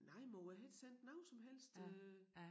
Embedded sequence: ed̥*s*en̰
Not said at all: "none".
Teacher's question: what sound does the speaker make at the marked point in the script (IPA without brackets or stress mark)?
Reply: s